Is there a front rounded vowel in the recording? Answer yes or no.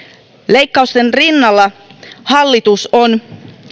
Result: no